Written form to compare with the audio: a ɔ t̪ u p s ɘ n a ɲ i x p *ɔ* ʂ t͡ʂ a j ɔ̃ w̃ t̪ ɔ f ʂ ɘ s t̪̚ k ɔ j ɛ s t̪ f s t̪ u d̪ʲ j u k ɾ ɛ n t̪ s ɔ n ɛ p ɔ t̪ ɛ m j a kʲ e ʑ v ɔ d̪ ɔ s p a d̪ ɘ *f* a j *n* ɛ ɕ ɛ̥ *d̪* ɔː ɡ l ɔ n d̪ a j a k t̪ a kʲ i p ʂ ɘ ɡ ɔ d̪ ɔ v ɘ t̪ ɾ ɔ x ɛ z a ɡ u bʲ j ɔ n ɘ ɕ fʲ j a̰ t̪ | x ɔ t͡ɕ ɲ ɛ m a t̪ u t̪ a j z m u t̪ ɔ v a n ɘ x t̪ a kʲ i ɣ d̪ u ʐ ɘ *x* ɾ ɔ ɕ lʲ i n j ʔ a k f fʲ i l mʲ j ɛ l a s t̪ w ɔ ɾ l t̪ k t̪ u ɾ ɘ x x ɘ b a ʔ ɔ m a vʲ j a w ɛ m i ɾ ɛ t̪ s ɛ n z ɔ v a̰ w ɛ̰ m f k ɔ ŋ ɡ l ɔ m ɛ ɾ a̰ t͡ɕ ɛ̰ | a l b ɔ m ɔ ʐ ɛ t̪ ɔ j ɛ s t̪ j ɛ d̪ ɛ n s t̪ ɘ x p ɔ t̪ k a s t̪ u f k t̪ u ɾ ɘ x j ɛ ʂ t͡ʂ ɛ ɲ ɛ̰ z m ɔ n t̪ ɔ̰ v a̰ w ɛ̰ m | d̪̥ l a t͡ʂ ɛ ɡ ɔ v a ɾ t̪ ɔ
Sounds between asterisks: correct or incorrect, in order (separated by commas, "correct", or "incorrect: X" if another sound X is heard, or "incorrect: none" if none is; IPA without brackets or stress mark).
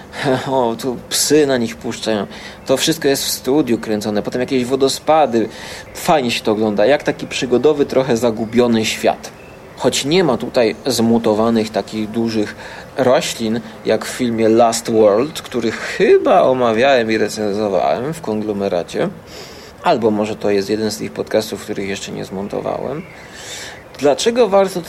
incorrect: u, correct, incorrect: ɲ, incorrect: t̪, correct